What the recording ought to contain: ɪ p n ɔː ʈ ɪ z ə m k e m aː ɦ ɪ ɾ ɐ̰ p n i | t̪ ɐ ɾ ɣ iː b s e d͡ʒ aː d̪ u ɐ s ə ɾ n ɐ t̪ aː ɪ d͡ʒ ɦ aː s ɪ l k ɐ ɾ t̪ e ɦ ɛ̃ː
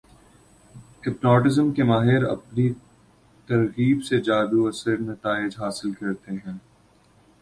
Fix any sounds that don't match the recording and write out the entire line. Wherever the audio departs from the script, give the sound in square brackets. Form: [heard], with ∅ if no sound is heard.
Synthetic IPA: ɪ p n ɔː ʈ ɪ z ə m k e m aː ɦ ɪ ɾ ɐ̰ p n i | t̪ ɐ ɾ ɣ iː b s e d͡ʒ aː d̪ u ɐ s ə ɾ n ɐ t̪ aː ɪ d͡ʒ ɦ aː s ɪ l k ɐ ɾ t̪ e ɦ ɛ̃ː